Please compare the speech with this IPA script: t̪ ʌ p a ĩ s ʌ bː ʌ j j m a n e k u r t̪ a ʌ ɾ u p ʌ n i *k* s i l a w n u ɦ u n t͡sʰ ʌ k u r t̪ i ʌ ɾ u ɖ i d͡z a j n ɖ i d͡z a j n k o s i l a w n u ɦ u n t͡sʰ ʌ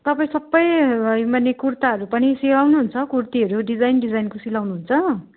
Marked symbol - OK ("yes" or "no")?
no